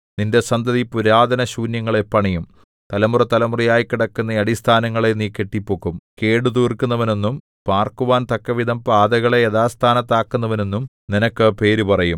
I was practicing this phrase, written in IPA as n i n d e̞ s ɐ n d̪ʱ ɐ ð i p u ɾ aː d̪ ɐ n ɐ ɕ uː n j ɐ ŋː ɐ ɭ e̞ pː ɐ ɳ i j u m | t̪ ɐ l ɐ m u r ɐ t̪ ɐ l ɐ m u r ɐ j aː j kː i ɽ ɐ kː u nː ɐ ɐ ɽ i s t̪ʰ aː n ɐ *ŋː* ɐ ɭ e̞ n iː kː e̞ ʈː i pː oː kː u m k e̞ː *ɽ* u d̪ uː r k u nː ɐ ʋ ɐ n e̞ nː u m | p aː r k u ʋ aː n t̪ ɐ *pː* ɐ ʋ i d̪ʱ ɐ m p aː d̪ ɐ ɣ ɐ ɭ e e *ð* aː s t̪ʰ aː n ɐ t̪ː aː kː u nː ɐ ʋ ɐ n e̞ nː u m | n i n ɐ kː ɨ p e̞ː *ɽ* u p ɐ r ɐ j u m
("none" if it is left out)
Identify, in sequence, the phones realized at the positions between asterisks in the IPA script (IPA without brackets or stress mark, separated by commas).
ŋː, ɽ, kː, ð, ɾ